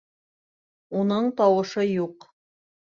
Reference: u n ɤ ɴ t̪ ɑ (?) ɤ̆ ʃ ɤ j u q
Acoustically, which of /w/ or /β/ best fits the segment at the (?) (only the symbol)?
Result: w